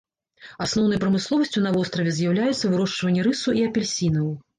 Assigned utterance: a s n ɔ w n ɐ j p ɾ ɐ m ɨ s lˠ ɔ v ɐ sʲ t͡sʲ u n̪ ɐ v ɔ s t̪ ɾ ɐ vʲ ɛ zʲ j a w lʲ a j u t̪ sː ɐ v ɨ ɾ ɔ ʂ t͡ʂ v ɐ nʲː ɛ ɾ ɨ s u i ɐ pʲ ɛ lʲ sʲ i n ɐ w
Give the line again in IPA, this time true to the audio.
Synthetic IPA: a s n ɔ w n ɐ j p ɾ ɐ m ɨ s lˠ ɔ v ɐ sʲ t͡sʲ u n̪ ɐ v ɔ s t̪ ɾ ɐ vʲ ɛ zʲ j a w lʲ a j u t̪ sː ɐ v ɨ ɾ ɔ ʂ t͡ʂ v ɐ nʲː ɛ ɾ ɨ s u i ɐ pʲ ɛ lʲ sʲ i n ɐ w